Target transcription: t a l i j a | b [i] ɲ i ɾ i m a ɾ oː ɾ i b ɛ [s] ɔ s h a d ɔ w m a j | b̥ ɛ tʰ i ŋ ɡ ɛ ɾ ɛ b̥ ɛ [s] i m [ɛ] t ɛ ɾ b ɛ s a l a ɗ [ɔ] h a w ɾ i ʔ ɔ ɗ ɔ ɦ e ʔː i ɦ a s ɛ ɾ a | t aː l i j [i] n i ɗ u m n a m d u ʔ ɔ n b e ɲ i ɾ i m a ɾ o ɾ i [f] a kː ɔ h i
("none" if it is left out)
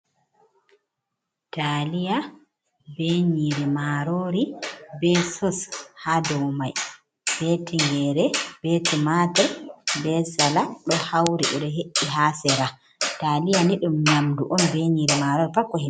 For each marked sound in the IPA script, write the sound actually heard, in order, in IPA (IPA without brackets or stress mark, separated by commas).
e, s, t, a, ɔ, a, f